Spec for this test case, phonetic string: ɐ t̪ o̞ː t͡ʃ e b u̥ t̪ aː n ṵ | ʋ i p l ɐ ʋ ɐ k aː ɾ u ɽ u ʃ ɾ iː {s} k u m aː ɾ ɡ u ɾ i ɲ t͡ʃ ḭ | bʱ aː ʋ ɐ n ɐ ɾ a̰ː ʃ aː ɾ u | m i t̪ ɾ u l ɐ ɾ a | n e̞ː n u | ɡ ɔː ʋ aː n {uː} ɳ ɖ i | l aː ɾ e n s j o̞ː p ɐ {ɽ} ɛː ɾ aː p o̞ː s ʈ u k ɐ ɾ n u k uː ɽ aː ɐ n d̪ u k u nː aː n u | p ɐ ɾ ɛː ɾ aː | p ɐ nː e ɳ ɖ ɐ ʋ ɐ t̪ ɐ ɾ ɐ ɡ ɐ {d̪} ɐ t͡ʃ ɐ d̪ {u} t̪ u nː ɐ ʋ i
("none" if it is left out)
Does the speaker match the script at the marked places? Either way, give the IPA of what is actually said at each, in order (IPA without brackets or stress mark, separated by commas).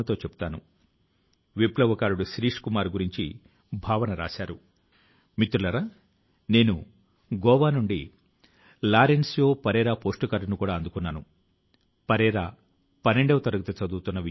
ʂ, u, ɾ, t̪, uː